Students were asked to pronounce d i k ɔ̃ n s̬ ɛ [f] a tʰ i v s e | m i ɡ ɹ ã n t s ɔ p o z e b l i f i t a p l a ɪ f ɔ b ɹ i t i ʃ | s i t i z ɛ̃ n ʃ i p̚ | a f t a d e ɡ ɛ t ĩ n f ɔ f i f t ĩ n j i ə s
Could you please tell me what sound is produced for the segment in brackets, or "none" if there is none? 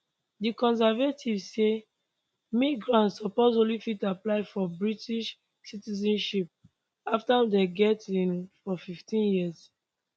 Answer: v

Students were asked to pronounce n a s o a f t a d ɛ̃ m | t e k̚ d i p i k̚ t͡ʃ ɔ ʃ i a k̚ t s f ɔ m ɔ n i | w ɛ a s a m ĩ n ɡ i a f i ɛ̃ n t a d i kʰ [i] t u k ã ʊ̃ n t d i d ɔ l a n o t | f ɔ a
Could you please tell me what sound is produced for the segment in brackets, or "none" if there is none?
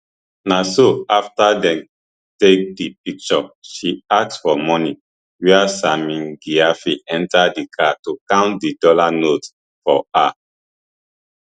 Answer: a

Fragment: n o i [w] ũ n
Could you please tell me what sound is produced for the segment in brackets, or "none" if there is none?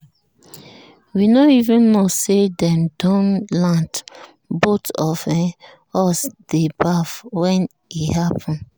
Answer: v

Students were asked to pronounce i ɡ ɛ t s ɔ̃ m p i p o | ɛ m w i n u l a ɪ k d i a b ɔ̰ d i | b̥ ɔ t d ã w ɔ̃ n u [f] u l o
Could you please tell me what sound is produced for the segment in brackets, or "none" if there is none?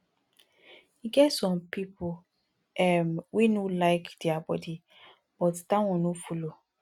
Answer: f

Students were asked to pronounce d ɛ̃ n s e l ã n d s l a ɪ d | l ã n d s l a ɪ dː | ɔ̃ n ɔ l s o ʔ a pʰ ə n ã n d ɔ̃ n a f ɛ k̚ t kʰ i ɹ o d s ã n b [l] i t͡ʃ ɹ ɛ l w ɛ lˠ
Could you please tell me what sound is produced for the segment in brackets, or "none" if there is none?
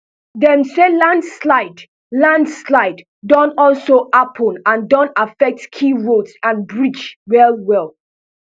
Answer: ɹ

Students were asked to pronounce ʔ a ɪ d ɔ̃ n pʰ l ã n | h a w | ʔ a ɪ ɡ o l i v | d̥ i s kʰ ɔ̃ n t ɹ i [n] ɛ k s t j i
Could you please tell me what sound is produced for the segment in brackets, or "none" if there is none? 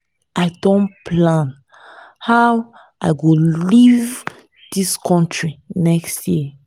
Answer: n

